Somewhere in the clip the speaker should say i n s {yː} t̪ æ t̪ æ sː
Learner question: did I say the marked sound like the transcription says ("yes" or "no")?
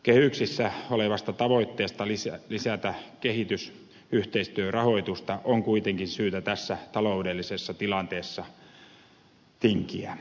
yes